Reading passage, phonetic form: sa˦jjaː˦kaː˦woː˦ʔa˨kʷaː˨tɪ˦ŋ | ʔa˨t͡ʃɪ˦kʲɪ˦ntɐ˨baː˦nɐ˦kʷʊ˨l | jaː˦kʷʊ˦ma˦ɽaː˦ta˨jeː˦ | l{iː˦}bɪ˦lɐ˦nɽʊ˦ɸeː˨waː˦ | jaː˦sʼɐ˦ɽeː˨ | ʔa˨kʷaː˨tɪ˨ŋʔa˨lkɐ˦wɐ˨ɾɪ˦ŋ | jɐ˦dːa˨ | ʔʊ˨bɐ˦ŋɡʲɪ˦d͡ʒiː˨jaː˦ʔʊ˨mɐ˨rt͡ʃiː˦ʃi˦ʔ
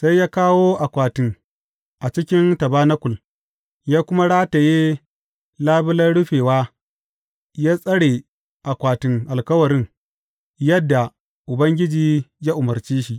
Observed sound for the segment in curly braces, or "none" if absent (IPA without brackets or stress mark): aː˦